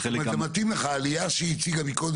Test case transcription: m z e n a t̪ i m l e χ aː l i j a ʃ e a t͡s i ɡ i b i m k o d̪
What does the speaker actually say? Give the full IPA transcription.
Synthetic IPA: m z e m a t̪ i m l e χ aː l i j a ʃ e i t͡s i ɡ a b i k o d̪